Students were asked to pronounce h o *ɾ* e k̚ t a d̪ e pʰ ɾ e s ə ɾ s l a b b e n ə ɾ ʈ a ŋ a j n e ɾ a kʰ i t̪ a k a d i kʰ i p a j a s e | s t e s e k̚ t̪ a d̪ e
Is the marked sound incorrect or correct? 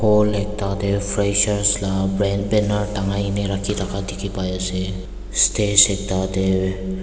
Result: incorrect